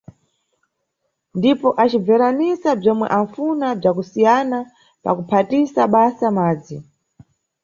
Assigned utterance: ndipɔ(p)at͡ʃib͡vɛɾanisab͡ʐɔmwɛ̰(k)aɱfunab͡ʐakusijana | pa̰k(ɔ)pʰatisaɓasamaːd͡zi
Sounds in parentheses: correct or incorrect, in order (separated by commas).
incorrect, incorrect, incorrect